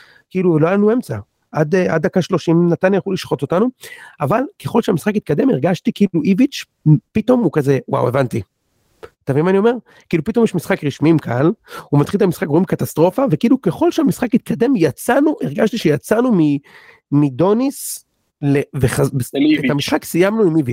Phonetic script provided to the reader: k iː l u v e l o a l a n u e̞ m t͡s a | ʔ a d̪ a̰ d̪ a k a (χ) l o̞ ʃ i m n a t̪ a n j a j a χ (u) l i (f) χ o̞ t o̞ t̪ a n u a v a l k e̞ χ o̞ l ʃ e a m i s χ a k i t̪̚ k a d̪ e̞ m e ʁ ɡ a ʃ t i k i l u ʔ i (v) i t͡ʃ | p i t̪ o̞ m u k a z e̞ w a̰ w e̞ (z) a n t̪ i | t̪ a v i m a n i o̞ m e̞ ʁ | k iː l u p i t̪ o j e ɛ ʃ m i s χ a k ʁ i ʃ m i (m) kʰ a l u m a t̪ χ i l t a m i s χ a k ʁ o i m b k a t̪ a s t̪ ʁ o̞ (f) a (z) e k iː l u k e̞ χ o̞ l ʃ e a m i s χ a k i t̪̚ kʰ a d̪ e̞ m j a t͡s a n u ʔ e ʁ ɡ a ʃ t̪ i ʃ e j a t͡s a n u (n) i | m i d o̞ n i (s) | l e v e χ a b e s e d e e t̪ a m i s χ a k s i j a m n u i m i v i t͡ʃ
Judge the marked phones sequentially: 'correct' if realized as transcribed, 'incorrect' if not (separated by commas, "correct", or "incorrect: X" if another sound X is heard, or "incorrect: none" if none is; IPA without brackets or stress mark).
incorrect: ʃ, correct, incorrect: ʃ, correct, incorrect: v, correct, correct, incorrect: v, incorrect: m, correct